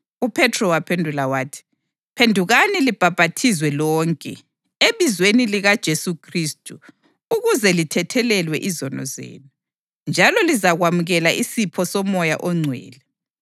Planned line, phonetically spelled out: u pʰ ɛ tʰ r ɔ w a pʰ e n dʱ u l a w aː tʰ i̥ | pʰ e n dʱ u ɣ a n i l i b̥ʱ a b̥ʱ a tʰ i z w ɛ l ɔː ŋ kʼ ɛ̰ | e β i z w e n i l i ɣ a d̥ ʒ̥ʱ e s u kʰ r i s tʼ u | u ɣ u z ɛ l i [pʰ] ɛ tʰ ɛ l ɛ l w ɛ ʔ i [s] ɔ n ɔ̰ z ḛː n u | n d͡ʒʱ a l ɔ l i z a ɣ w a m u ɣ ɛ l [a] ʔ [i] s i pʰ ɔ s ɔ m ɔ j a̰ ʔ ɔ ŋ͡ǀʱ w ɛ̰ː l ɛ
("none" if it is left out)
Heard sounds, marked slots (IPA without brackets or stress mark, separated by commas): tʰ, z, a, i